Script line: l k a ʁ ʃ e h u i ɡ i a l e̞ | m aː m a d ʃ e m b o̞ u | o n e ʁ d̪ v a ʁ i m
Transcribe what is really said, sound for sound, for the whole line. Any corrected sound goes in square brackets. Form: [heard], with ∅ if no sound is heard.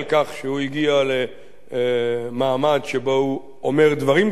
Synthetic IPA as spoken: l k a [χ] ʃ e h u i ɡ i a l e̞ | m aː m a d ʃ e [∅] b o̞ u | o [m] e ʁ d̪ v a ʁ i m